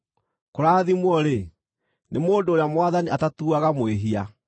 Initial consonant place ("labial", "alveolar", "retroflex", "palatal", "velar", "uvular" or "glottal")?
velar